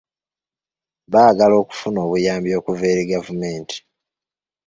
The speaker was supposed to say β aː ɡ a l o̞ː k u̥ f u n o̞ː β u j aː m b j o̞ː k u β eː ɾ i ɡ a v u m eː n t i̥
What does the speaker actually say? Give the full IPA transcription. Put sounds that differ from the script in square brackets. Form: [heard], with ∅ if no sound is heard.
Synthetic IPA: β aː ɡ a l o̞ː k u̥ f u n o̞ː β u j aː m b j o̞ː k u [v] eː ɾ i ɡ a v u m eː n t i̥

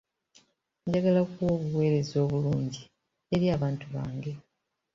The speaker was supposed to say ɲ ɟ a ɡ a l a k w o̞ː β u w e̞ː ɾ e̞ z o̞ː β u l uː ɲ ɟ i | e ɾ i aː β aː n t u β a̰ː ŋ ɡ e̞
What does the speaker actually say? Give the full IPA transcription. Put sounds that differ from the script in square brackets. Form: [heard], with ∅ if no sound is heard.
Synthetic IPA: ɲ ɟ a ɡ a l a k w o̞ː β u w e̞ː ɾ e̞ z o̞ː β u l uː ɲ ɟ i | e ɾ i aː β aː n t u β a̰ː ŋ ɡ e̞

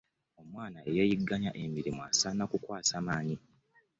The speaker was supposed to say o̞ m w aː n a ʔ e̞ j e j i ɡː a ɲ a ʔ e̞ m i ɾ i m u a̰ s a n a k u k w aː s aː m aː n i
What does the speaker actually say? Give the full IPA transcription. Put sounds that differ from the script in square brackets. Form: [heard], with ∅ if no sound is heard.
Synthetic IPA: o̞ m w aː n a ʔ e̞ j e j i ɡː a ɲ a ʔ e̞ m i ɾ i m u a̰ s a n a k u k w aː s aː m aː [ɲ] i

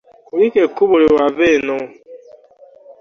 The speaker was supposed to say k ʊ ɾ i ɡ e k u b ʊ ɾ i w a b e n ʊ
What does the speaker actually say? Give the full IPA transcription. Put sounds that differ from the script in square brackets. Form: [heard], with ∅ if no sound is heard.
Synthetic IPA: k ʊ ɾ i [k] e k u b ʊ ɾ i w a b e n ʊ

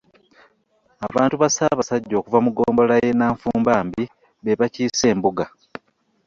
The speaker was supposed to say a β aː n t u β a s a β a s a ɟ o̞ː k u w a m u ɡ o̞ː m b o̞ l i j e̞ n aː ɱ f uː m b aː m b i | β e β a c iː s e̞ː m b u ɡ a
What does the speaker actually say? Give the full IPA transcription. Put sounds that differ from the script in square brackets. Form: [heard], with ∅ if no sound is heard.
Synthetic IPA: a β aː n t u β a s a β a s a [ɟː] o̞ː k u [v] a m u ɡ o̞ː m b o̞ l [a] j e̞ n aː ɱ f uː m b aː m b i | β e β a c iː s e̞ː m b u ɡ a

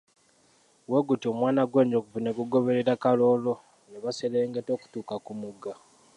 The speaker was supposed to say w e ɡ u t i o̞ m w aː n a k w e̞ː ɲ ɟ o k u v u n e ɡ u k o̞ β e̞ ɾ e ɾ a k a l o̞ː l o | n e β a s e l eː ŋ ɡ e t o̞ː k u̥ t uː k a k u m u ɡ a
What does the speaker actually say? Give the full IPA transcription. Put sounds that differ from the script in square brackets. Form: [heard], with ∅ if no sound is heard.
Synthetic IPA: w e ɡ u t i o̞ m w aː n a [ɡ] w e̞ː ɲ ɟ o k u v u n e ɡ u [ɡ] o̞ β e̞ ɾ e ɾ a k a l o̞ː l o | n e β a s e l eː ŋ ɡ e t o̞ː k u̥ t uː k a k u m u ɡ a

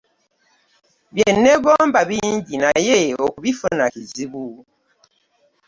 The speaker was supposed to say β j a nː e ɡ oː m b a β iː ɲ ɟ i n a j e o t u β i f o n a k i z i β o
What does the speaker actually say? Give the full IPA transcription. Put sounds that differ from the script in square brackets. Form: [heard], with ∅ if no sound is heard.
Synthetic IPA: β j [e] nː e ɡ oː m b a β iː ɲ ɟ i n a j e o [k] u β i f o n a k i z i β [u]

